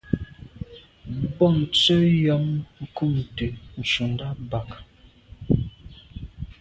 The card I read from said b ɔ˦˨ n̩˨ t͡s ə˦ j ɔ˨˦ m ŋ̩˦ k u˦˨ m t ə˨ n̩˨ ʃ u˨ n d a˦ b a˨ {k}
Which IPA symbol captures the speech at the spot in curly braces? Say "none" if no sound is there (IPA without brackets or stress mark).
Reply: k